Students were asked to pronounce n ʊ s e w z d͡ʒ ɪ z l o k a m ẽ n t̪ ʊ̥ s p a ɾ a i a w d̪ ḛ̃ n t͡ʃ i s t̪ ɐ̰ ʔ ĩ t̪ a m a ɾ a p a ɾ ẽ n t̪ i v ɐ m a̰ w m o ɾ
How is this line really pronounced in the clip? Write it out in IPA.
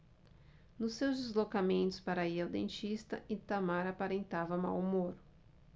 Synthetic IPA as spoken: n ʊ s e w z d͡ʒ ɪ z l o k a m ẽ n t̪ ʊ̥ s p a ɾ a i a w d̪ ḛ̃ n t͡ʃ i s t̪ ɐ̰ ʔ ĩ t̪ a m a ɾ a p a ɾ ẽ n t̪ a v ɐ m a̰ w m o ɾ